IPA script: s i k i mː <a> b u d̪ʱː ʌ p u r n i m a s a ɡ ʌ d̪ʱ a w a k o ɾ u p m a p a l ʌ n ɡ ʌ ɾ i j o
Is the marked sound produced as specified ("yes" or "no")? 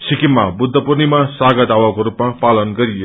yes